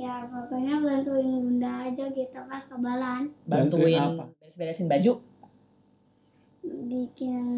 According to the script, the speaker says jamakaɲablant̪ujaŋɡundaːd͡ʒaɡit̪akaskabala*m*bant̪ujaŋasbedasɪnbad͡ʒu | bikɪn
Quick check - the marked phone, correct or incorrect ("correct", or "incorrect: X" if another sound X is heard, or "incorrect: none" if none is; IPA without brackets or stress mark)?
incorrect: n